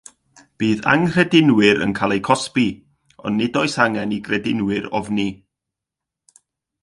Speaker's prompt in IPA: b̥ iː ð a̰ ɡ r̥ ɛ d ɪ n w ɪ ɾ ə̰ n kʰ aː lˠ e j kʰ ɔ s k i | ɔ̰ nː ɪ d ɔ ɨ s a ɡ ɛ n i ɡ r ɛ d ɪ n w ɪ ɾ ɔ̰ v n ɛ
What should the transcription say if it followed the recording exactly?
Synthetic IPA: b̥ iː ð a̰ ŋ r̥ ɛ d ɪ n w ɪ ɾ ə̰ n kʰ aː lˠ e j kʰ ɔ s p i | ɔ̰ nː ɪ d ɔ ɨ s a ŋ ɛ n i ɡ r ɛ d ɪ n w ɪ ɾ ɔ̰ v n i